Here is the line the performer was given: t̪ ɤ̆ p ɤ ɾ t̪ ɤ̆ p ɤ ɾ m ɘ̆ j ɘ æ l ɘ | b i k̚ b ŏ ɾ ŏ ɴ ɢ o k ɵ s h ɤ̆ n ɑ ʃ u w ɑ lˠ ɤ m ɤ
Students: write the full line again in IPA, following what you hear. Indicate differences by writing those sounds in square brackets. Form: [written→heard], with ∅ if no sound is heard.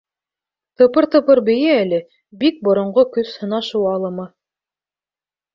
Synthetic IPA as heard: t̪ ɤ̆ p ɤ ɾ t̪ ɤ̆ p ɤ ɾ [m→b] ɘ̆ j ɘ æ l ɘ | b i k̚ b ŏ ɾ ŏ ɴ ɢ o k ɵ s h ɤ̆ n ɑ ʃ u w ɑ lˠ ɤ m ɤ